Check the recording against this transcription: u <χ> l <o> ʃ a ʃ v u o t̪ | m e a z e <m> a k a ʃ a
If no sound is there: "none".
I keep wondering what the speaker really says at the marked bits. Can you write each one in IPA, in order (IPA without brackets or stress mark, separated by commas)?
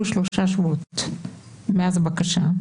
ʃ, o, b